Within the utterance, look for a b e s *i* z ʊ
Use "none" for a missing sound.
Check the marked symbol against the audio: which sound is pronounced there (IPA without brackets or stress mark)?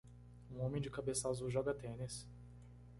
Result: a